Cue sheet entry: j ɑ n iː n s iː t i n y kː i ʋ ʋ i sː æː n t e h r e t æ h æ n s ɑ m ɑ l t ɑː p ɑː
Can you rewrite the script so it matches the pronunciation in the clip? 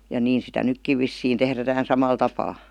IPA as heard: j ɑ n iː n s i t æ n y kː i ʋ ʋ i sː iː n t e h r æ t æ h æ n s ɑ m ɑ l t ɑ p ɑː